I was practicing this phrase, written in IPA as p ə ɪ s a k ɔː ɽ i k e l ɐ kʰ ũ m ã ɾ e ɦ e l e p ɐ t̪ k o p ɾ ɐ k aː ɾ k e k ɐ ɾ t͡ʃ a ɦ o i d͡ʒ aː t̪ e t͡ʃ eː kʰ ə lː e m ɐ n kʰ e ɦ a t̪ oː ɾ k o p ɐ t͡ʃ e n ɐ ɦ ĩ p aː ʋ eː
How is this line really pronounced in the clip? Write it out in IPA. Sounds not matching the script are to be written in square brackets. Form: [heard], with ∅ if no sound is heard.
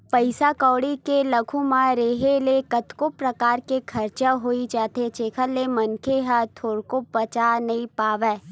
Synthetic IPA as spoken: p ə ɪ s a k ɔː ɽ i k e l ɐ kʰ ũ m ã ɾ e ɦ e l e [k] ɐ t̪ k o p ɾ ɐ k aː ɾ k e [kʰ] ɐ ɾ t͡ʃ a ɦ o i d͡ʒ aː t̪ e t͡ʃ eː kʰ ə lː e m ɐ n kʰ e ɦ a [t̪ʰ] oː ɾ k o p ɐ t͡ʃ [a] n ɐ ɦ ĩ p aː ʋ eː

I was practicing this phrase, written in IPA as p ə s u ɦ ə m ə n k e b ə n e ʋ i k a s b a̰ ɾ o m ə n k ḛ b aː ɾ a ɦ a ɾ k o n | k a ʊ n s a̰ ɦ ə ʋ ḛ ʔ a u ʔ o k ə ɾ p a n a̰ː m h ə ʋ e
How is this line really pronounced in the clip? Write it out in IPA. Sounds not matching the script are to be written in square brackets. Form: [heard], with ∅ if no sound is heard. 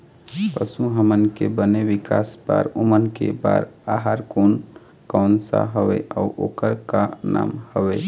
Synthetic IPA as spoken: p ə s u ɦ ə m ə n k e b ə n e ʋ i k a s b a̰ ɾ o m ə n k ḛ b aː ɾ a ɦ a ɾ k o n | k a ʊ n s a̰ ɦ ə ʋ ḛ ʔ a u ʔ o k ə ɾ [k] a n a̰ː m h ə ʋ e

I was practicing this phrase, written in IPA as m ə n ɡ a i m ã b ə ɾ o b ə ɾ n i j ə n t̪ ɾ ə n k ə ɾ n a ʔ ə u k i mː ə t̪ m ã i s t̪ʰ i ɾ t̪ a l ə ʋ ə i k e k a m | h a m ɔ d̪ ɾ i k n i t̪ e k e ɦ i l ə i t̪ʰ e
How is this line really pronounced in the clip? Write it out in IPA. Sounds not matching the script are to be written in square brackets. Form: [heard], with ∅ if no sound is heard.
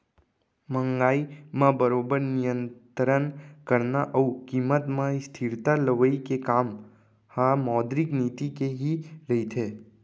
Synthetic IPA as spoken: m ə [ŋ] ɡ a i m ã b ə ɾ o b ə ɾ n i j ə n t̪ ɾ ə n k ə ɾ n a ʔ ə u k i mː ə t̪ m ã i s t̪ʰ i ɾ t̪ a l ə ʋ ə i k e k a m | h a m ɔ d̪ ɾ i k n i t̪ [i] k e ɦ i l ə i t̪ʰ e

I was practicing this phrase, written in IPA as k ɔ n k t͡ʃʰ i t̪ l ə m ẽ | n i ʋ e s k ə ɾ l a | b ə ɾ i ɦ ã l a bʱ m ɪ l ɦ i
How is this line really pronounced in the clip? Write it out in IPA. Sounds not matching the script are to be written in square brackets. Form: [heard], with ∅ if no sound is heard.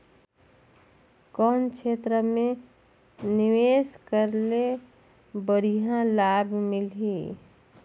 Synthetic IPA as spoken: k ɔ n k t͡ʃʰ [e] t̪ [ɾ] ə m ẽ | n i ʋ e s k ə ɾ l [e] | b ə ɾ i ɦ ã l a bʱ m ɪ l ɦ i

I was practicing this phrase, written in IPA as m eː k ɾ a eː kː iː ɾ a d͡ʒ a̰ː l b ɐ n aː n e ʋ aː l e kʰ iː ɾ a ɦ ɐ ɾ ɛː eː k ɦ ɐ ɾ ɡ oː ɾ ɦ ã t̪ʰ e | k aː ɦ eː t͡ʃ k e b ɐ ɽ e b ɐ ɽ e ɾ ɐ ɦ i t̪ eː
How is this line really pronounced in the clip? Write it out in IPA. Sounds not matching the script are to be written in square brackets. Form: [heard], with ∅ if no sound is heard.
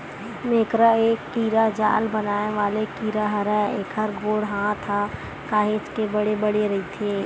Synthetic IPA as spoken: m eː k ɾ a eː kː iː ɾ a d͡ʒ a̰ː l b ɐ n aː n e ʋ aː l e [k] iː ɾ a ɦ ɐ ɾ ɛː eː k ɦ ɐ ɾ ɡ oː [ɽ] ɦ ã t̪ʰ [a] | k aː ɦ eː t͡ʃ k e b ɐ ɽ e b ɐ ɽ e ɾ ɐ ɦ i [t̪ʰ] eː

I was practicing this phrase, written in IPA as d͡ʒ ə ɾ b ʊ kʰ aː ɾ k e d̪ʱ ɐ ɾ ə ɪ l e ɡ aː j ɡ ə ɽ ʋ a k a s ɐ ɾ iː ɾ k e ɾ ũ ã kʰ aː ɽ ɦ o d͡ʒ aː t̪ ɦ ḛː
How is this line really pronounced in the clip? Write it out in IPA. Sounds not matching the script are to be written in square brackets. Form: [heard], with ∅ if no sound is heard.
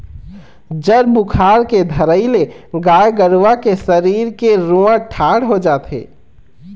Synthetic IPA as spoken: d͡ʒ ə ɾ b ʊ kʰ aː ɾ k e d̪ʱ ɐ ɾ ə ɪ l e ɡ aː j ɡ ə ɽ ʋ a k [e] s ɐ ɾ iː ɾ k e ɾ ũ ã [ʈʰ] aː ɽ ɦ o d͡ʒ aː t̪ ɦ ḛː

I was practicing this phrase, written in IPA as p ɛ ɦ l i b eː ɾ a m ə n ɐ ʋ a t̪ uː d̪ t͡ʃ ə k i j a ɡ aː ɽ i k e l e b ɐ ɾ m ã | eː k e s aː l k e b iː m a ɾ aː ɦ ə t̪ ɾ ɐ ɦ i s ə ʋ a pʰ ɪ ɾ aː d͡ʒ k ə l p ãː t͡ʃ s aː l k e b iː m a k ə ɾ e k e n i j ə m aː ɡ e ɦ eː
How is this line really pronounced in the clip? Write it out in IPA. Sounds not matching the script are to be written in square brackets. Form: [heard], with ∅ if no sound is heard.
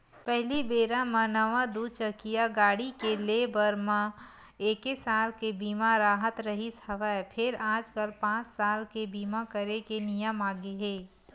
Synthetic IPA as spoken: p ɛ ɦ l i b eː ɾ a m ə n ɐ ʋ a [d̪] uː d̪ t͡ʃ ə k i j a ɡ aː ɽ i k e l e b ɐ ɾ m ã | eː k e s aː l k e b iː m a ɾ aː ɦ ə t̪ ɾ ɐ ɦ i s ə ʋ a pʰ ɪ ɾ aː d͡ʒ k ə l p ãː t͡ʃ s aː l k e b iː m a k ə ɾ e k e n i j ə m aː ɡ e ɦ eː

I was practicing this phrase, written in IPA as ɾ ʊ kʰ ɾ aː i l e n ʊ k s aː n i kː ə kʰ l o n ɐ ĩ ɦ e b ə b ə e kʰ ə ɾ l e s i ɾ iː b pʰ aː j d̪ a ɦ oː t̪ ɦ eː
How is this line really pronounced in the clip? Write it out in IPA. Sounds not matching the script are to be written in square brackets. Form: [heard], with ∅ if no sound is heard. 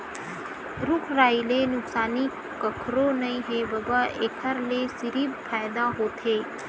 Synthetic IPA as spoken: ɾ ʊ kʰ ɾ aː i l e n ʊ k s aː n i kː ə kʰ [ɾ] o n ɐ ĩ ɦ e b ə b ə e kʰ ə ɾ l e s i ɾ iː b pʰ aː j d̪ a ɦ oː t̪ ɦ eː

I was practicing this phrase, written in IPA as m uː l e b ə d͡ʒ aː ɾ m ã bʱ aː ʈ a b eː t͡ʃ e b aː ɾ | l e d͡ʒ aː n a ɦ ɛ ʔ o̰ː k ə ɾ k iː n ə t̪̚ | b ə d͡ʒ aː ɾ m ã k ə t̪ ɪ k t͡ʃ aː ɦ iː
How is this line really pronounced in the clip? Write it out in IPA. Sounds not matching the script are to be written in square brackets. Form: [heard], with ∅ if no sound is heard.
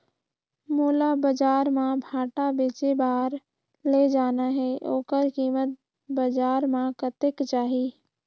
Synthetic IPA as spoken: m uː l [a] b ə d͡ʒ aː ɾ m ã bʱ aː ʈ a b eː t͡ʃ e b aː ɾ | l e d͡ʒ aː n a ɦ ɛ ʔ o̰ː k ə ɾ k iː [m] ə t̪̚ | b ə d͡ʒ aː ɾ m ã k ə t̪ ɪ k t͡ʃ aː ɦ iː

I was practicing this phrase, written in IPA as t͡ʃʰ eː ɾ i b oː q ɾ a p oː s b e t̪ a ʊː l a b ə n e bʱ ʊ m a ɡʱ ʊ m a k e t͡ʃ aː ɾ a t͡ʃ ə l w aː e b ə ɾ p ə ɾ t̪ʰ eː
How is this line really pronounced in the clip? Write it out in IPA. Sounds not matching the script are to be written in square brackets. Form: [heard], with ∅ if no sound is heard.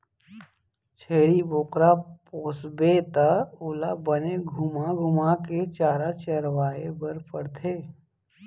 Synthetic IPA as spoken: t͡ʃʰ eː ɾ i b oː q ɾ a p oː s b e t̪ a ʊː l a b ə n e [ɡʱ] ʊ m a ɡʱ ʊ m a k e t͡ʃ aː ɾ a t͡ʃ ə [ɾ] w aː e b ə ɾ p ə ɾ t̪ʰ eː

